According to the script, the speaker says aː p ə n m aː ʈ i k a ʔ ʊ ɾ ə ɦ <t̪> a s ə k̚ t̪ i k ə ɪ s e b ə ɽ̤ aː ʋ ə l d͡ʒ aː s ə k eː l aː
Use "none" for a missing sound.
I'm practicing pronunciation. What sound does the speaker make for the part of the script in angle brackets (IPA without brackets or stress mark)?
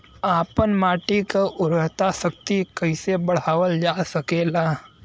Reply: t̪